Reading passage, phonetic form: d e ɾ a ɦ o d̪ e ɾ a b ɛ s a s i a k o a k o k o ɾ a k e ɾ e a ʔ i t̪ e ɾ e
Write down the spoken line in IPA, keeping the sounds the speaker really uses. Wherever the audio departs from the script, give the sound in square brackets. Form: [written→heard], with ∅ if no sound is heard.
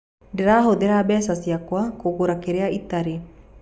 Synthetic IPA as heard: d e ɾ a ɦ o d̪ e ɾ a b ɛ s a s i a k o a k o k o ɾ a k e ɾ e a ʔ i t̪ [e→a] ɾ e